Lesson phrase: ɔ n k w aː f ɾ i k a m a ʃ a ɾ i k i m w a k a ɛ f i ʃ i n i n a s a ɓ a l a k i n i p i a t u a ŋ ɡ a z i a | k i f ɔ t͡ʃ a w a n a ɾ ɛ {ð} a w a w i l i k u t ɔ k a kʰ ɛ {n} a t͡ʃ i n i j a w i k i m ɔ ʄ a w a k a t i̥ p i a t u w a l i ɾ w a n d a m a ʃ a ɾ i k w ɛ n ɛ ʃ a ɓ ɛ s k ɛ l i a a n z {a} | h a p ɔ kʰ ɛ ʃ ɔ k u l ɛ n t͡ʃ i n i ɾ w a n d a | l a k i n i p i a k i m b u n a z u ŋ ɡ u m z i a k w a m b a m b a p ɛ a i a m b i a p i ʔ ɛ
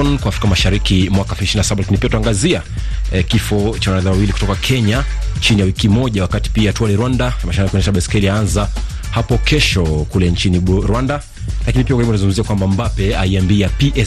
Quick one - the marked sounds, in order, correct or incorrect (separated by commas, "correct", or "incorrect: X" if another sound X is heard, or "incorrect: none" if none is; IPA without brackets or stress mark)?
correct, incorrect: ɲ, correct